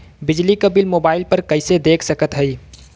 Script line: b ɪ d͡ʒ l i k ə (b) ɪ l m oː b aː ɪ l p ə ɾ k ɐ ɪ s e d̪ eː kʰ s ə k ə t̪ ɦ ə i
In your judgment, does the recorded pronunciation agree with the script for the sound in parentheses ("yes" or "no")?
yes